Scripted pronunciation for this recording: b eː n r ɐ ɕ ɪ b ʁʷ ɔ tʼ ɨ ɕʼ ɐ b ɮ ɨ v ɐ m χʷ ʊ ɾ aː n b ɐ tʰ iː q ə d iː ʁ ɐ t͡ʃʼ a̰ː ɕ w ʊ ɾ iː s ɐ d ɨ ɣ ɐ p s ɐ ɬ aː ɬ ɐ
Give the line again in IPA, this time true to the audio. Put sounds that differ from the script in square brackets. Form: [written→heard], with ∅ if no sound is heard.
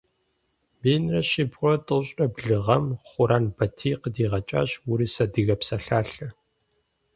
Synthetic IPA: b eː n r ɐ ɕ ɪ b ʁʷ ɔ tʼ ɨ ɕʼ ɐ b ɮ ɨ [v→ʁ] ɐ m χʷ ʊ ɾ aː n b ɐ tʰ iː q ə d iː ʁ ɐ t͡ʃʼ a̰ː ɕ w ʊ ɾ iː s ɐ d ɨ ɣ ɐ p s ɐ ɬ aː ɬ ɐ